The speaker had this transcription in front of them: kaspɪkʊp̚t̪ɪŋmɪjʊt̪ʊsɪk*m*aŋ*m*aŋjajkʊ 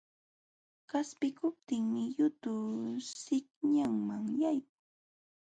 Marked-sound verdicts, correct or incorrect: incorrect: ɲ, correct

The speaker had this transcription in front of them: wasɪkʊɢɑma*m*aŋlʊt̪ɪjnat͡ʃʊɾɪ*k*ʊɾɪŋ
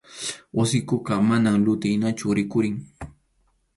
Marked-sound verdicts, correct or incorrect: incorrect: n, correct

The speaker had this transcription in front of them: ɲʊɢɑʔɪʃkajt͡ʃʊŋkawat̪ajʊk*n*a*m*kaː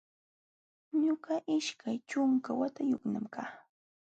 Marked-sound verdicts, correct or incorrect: correct, correct

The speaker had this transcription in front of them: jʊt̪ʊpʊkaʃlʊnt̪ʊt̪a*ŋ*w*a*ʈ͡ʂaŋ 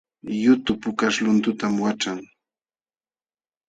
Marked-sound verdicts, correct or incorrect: incorrect: m, correct

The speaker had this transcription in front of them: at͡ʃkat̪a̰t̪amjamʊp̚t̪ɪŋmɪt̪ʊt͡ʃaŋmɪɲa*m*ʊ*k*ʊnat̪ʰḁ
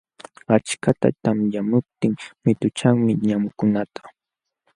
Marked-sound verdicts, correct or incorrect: correct, correct

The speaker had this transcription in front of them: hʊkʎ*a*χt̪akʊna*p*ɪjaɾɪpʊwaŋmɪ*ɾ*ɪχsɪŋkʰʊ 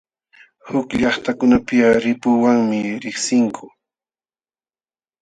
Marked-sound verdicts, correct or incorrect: incorrect: ɑ, correct, correct

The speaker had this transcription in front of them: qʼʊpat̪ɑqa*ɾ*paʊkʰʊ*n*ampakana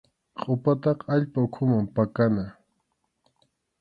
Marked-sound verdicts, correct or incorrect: incorrect: ʎ, incorrect: m

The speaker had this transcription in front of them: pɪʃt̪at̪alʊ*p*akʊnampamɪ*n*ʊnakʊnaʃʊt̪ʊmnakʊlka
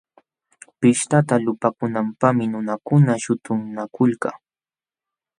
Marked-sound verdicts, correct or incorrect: correct, correct

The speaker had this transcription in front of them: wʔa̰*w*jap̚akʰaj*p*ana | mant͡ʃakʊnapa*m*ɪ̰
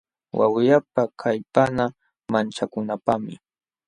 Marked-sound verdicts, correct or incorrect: correct, correct, correct

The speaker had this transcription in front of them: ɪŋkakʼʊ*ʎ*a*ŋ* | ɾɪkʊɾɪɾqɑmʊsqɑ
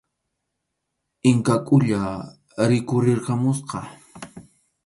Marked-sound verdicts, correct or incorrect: correct, incorrect: none

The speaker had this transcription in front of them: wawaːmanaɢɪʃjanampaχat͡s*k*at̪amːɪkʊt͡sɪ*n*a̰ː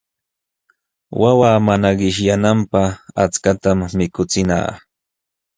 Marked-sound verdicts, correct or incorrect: correct, correct

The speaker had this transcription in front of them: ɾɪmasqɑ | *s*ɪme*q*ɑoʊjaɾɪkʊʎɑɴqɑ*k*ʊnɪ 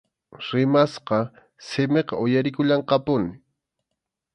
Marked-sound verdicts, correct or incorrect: correct, correct, incorrect: p

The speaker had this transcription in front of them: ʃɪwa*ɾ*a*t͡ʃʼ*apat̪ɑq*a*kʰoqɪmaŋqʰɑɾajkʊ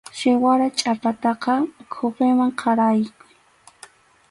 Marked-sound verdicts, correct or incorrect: correct, correct, incorrect: ɑ

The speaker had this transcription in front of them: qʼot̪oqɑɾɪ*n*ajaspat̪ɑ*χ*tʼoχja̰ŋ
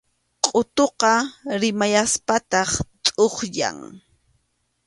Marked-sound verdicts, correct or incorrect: incorrect: m, correct

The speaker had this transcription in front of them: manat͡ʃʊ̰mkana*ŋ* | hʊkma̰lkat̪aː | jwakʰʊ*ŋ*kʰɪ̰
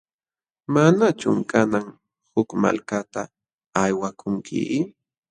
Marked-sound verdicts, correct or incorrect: correct, correct

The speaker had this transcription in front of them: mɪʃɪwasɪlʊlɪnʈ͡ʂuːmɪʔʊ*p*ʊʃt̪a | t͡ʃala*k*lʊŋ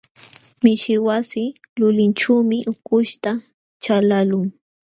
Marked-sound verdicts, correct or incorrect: incorrect: k, incorrect: none

